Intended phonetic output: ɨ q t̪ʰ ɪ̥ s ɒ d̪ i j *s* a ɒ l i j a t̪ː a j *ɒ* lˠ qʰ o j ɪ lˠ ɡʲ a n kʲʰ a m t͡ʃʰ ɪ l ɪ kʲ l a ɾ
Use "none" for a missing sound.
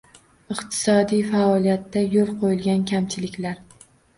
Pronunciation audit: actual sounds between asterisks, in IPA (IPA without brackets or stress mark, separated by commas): f, o